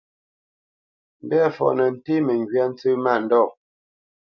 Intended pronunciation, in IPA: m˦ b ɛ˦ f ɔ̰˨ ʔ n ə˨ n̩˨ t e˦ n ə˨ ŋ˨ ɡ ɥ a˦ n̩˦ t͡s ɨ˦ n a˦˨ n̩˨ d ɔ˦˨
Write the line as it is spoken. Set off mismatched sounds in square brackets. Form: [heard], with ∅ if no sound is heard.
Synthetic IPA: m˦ b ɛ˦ f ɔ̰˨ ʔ n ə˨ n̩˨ t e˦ [m] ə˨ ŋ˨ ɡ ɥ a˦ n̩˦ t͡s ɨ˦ [m] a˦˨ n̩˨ d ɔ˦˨